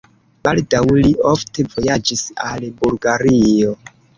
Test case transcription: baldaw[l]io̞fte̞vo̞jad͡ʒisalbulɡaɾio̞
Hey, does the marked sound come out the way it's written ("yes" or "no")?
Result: yes